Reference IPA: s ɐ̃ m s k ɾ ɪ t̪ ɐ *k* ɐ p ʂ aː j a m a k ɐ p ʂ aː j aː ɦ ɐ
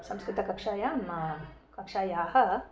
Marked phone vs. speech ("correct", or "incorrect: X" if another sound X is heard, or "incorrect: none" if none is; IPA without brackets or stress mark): correct